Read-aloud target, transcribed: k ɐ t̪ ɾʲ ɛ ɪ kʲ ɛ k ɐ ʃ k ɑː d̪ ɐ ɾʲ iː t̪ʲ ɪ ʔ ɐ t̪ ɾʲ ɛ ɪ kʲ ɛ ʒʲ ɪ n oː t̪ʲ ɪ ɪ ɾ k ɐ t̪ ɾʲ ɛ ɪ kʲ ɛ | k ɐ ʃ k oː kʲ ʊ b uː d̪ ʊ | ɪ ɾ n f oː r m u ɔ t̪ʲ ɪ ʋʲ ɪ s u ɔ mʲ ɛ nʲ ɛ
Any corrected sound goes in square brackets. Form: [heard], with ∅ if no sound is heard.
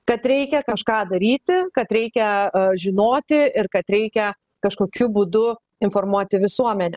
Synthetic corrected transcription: k ɐ t̪ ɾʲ ɛ ɪ kʲ ɛ k ɐ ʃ k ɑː d̪ ɐ ɾʲ iː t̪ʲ ɪ [k] ɐ t̪ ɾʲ ɛ ɪ kʲ ɛ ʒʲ ɪ n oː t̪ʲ ɪ ɪ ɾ k ɐ t̪ ɾʲ ɛ ɪ kʲ ɛ | k ɐ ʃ k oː kʲ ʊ b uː d̪ ʊ | ɪ [∅] n f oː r m u ɔ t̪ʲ ɪ ʋʲ ɪ s u ɔ mʲ ɛ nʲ ɛ

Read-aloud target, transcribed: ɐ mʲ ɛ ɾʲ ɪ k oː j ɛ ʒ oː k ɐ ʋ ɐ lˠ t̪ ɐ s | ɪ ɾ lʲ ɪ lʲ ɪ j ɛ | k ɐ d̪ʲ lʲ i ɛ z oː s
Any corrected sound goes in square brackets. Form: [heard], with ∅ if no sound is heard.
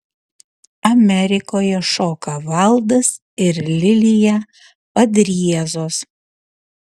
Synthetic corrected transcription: ɐ mʲ ɛ ɾʲ ɪ k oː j ɛ [ʃ] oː k ɐ ʋ ɐ lˠ [d̪] ɐ s | ɪ ɾ lʲ ɪ lʲ ɪ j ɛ | [p] ɐ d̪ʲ [ɾʲ] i ɛ z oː s

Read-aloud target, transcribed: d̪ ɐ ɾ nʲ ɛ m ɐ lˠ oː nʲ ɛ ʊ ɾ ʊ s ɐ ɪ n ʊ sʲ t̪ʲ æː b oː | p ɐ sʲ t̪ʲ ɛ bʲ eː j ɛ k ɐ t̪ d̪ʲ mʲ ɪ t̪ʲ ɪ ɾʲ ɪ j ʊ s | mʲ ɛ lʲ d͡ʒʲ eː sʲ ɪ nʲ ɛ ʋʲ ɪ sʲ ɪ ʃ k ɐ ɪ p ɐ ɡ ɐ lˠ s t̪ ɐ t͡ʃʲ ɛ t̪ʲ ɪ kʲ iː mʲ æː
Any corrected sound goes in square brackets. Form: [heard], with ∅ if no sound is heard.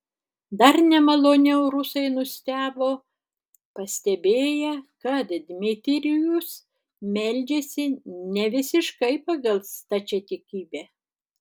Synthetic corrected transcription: d̪ ɐ ɾ nʲ ɛ m ɐ lˠ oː nʲ ɛ ʊ ɾ ʊ s ɐ ɪ n ʊ sʲ t̪ʲ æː b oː | p ɐ sʲ t̪ʲ ɛ bʲ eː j ɛ k ɐ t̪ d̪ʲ mʲ ɪ t̪ʲ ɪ ɾʲ ɪ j ʊ s | mʲ ɛ lʲ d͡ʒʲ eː sʲ ɪ nʲ ɛ ʋʲ ɪ sʲ ɪ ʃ k ɐ ɪ p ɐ ɡ ɐ lˠ s t̪ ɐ t͡ʃʲ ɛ t̪ʲ ɪ kʲ iː [bʲ] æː

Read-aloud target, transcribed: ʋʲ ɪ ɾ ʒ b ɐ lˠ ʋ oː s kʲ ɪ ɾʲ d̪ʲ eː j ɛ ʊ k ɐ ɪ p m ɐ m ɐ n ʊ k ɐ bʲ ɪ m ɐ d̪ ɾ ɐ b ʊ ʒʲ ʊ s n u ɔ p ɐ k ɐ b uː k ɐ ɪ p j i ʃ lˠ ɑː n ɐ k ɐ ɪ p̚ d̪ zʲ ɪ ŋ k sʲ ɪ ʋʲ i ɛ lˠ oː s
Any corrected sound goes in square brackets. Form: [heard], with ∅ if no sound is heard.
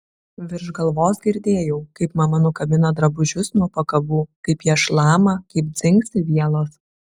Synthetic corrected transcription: ʋʲ ɪ ɾ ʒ [ɡ] ɐ lˠ ʋ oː s [ɡʲ] ɪ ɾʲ d̪ʲ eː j ɛ ʊ k ɐ ɪ p m ɐ m ɐ n ʊ k ɐ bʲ ɪ [n] ɐ d̪ ɾ ɐ b ʊ ʒʲ ʊ s n u ɔ p ɐ k ɐ b uː k ɐ ɪ p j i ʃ lˠ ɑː [m] ɐ k ɐ ɪ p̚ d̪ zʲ ɪ ŋ k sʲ ɪ ʋʲ i ɛ lˠ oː s

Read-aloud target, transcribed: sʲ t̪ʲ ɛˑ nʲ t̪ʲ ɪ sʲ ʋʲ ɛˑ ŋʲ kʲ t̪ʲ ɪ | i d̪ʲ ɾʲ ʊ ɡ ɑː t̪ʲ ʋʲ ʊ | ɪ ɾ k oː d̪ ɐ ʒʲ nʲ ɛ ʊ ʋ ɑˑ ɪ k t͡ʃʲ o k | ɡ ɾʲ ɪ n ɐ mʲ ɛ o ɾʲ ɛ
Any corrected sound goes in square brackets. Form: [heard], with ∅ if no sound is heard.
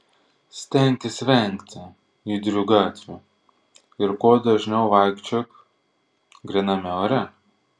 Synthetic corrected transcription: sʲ t̪ʲ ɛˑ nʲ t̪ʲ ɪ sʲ ʋʲ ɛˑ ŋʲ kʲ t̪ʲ ɪ | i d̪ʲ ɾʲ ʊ ɡ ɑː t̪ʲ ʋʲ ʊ | ɪ ɾ k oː d̪ ɐ ʒʲ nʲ ɛ ʊ ʋ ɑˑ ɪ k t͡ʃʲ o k | ɡ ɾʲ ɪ n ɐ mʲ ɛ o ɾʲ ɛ

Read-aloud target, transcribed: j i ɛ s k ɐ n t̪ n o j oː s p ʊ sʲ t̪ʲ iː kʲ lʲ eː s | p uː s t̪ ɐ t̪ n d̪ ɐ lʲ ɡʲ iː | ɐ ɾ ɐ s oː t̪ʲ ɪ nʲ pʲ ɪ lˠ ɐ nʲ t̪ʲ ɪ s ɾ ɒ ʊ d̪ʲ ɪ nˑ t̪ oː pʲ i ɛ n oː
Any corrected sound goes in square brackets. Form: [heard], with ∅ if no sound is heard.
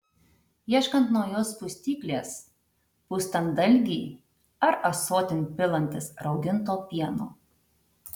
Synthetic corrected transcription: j i ɛ [ʃ] k ɐ n t̪ n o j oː s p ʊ sʲ t̪ʲ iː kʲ lʲ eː s | p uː s t̪ ɐ [∅] n d̪ ɐ lʲ ɡʲ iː | ɐ ɾ ɐ s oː t̪ʲ ɪ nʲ pʲ ɪ lˠ ɐ nʲ t̪ʲ ɪ s ɾ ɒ ʊ d̪ʲ ɪ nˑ t̪ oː pʲ i ɛ n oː

